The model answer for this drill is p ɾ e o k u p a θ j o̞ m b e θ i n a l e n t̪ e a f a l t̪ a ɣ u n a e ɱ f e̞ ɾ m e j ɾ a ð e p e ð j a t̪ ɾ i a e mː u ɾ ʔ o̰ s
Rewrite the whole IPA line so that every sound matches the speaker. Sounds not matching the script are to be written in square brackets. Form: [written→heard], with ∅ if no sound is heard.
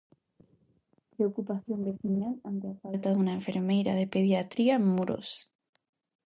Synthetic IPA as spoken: p ɾ e o k u p a θ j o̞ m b e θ i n a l [e→a] n t̪ e a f a l t̪ a [ɣ→ð] u n a e ɱ f e̞ ɾ m e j ɾ a ð e p e ð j a t̪ ɾ i a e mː u ɾ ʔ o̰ s